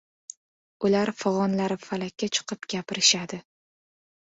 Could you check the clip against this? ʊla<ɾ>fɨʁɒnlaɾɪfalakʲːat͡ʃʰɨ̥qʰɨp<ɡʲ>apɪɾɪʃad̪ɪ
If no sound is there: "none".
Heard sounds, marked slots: ɾ, ɡʲ

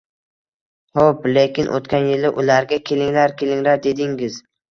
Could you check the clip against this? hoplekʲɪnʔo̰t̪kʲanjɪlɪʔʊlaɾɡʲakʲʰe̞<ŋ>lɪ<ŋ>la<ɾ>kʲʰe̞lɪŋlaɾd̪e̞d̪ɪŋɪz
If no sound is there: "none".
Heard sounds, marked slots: none, ŋ, ɾ

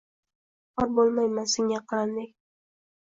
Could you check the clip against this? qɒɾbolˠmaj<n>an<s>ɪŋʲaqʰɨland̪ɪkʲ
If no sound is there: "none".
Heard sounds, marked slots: m, s

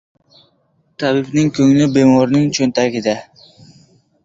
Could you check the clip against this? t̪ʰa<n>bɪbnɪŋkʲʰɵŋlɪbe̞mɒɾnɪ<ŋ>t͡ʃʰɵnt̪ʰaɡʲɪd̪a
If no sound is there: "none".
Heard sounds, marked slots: none, ŋ

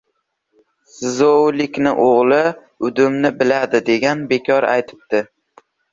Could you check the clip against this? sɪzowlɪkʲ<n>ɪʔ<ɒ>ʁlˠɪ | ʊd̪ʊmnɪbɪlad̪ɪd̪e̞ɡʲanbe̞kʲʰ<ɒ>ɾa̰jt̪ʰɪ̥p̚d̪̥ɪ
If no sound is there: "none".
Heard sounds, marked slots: n, o, ɒ

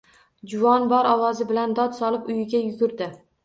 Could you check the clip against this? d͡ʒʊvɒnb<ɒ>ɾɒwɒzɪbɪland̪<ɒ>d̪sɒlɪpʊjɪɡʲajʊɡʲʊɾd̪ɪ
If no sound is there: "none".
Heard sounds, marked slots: ɒ, ɒ

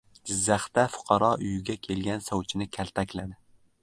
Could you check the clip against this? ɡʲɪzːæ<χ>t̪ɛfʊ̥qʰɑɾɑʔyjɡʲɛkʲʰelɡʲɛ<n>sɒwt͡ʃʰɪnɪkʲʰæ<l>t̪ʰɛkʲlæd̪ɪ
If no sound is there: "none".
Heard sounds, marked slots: χ, n, l

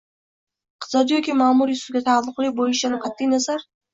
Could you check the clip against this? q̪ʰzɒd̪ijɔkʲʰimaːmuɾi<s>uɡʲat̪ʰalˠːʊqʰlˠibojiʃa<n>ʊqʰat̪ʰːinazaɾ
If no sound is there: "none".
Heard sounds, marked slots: s, n

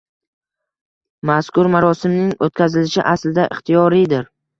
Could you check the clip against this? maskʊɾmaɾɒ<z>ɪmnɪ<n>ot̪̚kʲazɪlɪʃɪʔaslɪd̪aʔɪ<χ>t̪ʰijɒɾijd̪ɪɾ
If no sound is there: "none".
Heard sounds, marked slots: s, ŋ, χ

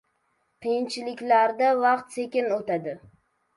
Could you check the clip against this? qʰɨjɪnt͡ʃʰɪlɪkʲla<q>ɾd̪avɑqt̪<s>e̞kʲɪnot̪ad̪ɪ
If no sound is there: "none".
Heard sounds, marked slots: none, s

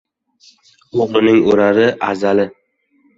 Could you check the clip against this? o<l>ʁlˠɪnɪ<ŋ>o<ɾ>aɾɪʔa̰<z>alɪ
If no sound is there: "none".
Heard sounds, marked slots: none, ŋ, ɾ, z

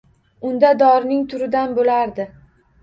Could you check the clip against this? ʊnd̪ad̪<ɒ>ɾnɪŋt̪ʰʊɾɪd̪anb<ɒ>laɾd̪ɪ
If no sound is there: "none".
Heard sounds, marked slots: ɒ, o

